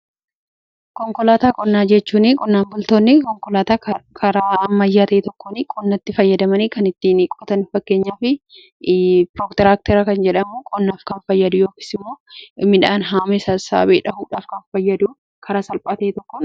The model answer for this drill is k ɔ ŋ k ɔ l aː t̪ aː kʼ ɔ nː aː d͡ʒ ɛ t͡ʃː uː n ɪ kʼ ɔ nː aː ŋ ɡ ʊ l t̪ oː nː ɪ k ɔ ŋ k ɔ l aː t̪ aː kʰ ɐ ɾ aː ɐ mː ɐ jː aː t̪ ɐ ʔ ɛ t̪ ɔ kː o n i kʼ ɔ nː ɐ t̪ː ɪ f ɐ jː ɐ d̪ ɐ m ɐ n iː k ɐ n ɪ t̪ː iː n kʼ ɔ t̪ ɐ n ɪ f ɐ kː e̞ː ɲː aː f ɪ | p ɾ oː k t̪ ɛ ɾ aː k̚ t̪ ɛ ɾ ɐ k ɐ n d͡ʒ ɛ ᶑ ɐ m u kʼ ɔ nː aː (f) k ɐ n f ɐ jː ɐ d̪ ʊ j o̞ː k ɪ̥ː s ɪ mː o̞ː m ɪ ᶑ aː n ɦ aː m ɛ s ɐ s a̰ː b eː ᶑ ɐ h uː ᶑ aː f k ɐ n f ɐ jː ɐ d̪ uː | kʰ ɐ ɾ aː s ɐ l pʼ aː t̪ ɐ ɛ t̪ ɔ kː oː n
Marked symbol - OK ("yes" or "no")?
yes